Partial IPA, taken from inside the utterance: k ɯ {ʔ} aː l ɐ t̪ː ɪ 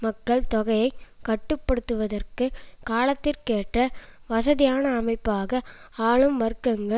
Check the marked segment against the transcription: incorrect: k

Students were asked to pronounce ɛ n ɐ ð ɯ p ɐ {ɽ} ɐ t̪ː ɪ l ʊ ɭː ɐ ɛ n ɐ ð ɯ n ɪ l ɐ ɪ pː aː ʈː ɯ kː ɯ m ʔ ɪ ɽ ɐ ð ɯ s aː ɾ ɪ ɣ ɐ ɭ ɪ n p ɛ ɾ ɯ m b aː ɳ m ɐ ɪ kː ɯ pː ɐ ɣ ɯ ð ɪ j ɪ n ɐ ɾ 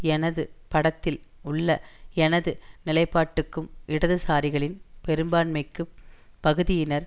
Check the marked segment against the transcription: correct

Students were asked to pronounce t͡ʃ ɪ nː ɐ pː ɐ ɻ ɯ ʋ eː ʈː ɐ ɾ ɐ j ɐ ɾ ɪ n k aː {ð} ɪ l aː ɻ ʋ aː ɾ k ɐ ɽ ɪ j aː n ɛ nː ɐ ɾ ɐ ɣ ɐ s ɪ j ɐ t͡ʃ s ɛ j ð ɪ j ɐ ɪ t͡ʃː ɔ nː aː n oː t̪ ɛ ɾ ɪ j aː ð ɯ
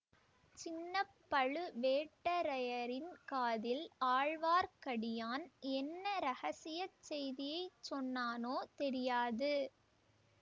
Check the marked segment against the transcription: correct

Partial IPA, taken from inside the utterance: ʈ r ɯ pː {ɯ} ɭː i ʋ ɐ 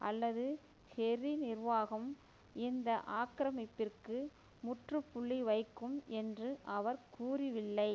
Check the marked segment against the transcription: incorrect: ʊ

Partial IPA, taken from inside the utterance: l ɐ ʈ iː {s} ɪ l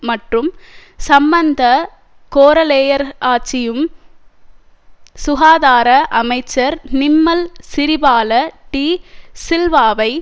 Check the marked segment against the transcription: correct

